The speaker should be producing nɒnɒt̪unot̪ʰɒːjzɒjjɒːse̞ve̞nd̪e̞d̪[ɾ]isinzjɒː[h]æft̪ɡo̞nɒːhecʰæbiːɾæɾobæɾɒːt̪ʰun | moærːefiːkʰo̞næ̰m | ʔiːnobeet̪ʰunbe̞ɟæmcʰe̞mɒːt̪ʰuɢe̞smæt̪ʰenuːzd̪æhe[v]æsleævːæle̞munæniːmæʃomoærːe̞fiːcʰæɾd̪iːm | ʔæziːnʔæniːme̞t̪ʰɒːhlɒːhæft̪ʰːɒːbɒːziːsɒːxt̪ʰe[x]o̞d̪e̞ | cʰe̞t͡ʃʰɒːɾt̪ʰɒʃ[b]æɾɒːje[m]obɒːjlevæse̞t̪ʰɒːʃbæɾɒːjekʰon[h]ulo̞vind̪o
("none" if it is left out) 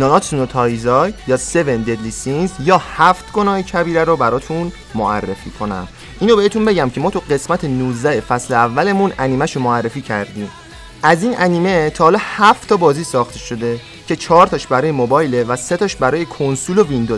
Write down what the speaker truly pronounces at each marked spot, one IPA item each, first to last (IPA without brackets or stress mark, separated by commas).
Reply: l, h, f, ʃ, b, m, s